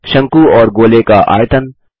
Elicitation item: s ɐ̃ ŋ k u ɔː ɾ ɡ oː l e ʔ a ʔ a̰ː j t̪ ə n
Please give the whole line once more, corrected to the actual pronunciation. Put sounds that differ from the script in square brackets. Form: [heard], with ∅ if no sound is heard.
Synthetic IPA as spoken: [ʃ] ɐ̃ ŋ k u ɔː ɾ ɡ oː l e [k] a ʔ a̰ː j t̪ ə n